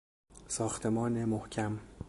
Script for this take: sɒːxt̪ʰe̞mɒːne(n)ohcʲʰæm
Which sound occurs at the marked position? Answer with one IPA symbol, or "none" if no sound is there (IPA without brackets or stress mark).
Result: m